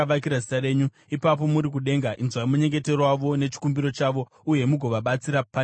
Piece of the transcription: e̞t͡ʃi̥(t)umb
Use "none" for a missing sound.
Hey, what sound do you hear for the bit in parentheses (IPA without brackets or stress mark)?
k